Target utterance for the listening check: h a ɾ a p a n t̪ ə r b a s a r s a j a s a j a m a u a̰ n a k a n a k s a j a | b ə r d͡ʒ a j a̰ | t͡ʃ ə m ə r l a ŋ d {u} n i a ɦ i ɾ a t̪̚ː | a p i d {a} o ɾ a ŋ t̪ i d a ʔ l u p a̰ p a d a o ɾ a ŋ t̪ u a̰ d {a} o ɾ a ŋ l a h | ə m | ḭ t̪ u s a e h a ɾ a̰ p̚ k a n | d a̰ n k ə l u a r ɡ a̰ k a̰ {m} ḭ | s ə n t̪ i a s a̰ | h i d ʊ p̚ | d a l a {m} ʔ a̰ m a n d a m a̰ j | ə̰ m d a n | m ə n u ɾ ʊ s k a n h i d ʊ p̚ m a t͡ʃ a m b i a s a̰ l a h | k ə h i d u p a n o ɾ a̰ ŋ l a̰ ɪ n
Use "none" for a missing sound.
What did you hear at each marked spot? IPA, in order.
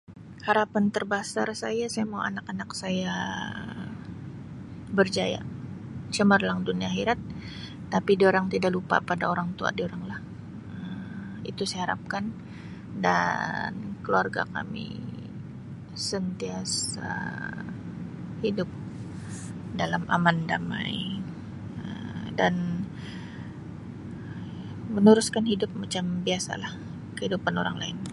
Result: u, i, i, m, m

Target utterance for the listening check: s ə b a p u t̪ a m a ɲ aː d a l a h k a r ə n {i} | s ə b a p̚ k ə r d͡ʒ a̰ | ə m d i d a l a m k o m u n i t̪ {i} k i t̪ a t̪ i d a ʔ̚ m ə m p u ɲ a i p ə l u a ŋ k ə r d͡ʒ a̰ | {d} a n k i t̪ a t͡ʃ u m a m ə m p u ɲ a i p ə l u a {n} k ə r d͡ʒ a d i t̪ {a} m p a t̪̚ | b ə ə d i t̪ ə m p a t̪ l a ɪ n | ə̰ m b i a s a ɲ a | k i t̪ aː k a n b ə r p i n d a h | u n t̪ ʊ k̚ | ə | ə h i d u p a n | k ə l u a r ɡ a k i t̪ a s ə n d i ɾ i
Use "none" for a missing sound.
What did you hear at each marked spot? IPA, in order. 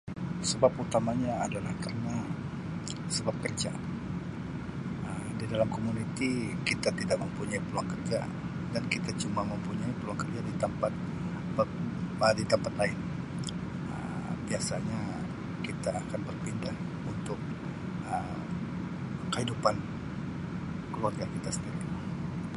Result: a, i, d, ŋ, ə

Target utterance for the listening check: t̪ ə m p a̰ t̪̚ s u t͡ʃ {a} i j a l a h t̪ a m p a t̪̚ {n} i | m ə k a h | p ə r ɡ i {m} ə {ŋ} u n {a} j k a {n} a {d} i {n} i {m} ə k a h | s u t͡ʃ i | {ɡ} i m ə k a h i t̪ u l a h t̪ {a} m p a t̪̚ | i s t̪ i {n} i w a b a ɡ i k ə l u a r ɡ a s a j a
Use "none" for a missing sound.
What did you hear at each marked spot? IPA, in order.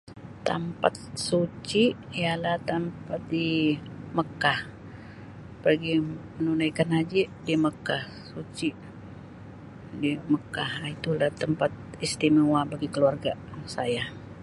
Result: i, d, m, n, a, n, d͡ʒ, d, m, d, ə, m

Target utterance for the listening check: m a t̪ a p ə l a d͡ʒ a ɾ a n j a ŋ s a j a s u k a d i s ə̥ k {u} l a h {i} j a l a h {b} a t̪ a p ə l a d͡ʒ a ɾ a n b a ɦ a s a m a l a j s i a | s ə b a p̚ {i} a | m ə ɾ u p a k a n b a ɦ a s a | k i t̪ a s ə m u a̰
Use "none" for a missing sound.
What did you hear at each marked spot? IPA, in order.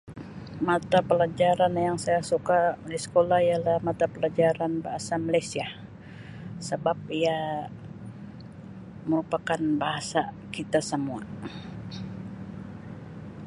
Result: o, i, m, i

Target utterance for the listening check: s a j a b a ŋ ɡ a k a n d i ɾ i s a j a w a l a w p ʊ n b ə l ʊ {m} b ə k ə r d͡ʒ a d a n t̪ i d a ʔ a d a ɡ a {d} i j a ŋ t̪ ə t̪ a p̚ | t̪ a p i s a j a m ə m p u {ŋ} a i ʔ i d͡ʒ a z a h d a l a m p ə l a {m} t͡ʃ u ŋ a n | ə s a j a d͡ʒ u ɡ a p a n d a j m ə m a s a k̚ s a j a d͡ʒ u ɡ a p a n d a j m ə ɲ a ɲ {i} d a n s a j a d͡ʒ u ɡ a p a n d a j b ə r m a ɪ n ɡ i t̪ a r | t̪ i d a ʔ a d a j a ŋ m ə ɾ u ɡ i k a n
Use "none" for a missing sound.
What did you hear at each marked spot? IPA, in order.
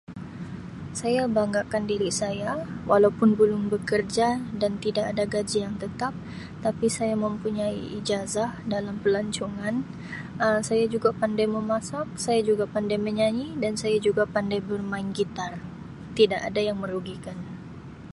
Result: ŋ, d͡ʒ, ɲ, ɲ, i

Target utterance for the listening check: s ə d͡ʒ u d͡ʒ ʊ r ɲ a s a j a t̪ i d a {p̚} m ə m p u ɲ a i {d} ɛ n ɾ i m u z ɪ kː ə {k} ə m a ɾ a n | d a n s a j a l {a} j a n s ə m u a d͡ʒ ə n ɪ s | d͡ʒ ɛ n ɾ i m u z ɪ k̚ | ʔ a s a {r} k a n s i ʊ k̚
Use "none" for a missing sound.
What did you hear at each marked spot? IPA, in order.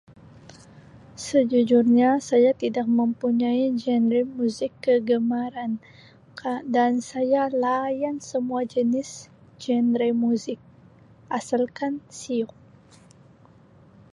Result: k̚, d͡ʒ, ɡ, a, l

